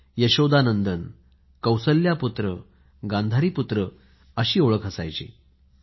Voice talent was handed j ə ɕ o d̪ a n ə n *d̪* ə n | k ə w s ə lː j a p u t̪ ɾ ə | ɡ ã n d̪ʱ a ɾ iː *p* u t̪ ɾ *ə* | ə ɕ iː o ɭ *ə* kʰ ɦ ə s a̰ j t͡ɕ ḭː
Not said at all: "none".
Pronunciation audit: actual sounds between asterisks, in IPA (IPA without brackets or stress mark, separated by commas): d̪, p, ə, ə